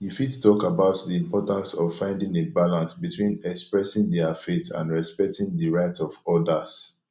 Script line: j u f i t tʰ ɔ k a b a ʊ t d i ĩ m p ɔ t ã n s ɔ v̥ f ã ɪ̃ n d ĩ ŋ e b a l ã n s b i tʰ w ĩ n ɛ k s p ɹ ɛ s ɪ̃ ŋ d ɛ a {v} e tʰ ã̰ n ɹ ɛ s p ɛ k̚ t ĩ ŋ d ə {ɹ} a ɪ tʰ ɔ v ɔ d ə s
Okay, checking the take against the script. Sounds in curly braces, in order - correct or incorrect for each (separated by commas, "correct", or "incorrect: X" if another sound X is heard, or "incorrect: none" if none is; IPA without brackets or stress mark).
incorrect: f, correct